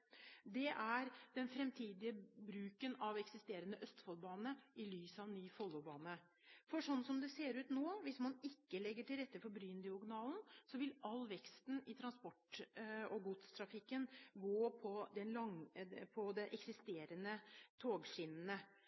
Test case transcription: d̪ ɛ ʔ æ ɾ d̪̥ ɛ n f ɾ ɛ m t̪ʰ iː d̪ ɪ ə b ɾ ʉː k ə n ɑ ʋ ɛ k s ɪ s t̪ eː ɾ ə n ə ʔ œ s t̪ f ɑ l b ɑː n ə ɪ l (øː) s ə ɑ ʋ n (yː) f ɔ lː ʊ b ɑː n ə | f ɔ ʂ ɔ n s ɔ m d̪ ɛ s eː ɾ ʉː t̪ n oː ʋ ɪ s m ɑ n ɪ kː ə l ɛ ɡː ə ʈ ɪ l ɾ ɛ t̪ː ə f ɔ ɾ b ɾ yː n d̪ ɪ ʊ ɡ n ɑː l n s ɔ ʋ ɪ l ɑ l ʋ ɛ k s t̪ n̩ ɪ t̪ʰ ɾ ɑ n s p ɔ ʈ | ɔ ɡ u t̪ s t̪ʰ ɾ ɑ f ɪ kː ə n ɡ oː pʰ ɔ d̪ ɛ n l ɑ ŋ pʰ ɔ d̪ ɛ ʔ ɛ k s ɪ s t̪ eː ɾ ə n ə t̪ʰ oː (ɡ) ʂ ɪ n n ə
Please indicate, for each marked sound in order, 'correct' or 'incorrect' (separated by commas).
incorrect, correct, correct